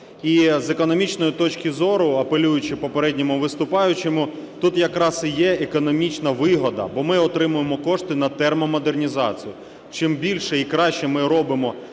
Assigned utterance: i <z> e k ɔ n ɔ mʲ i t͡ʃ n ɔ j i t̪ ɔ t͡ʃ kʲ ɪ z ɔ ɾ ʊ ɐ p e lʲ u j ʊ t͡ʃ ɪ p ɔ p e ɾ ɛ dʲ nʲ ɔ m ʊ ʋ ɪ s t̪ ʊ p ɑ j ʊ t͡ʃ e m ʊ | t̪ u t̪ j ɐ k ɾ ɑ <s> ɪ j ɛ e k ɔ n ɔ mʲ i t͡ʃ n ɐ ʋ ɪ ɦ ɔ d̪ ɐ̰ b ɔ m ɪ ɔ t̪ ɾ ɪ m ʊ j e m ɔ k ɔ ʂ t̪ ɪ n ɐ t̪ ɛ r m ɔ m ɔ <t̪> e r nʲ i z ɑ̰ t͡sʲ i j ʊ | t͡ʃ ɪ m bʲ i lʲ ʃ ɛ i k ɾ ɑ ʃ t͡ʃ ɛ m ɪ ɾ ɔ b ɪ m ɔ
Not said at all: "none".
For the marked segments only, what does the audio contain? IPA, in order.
z, s, d̪

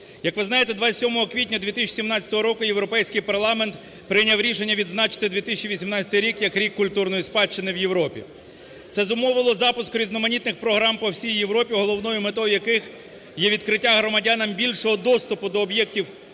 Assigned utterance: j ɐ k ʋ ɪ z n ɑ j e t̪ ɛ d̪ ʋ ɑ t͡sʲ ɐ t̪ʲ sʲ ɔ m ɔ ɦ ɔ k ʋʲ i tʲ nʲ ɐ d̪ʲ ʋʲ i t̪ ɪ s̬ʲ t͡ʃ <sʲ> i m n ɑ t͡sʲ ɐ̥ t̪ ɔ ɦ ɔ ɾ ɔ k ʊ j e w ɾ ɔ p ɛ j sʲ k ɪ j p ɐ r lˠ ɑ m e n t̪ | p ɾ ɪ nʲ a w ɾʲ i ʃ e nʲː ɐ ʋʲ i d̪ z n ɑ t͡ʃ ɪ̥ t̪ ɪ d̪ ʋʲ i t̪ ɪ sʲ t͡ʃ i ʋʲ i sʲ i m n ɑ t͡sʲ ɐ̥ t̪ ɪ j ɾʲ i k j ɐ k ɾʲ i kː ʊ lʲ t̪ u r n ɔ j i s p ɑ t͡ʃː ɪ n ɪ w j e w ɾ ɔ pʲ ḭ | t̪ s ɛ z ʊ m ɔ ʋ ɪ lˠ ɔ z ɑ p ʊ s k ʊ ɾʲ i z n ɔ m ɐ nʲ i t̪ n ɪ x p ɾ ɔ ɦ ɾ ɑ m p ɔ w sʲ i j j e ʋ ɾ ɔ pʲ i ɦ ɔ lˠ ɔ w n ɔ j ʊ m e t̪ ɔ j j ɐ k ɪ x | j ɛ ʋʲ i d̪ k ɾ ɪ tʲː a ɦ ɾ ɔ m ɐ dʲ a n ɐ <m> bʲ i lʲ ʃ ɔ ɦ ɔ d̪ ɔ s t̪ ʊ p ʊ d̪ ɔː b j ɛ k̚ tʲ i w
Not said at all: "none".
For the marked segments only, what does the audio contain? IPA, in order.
sʲ, m

